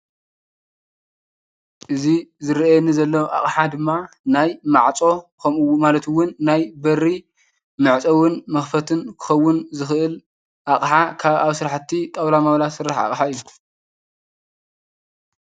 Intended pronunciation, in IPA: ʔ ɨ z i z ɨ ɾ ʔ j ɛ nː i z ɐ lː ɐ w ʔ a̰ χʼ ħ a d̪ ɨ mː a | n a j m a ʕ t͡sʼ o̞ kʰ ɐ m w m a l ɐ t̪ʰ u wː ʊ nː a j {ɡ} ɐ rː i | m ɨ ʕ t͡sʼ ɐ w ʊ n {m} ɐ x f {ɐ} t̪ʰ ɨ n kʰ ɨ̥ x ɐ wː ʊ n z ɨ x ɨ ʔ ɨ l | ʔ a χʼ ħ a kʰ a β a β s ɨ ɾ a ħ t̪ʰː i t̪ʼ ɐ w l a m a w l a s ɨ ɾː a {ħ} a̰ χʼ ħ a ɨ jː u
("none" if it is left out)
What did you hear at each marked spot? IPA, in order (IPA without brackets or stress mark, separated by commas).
b, m, ɐ, ħ